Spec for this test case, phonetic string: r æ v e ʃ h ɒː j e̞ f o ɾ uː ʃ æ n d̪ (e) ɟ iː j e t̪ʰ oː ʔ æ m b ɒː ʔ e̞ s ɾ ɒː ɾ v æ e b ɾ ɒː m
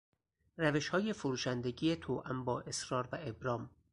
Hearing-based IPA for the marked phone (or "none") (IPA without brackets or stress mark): e